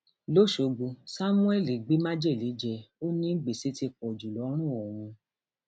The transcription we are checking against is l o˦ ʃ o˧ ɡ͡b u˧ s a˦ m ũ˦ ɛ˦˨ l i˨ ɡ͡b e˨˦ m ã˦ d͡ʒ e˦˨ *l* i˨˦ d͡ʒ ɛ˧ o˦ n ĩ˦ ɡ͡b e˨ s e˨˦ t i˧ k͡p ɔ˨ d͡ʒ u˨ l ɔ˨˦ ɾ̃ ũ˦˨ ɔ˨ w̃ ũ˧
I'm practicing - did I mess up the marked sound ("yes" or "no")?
no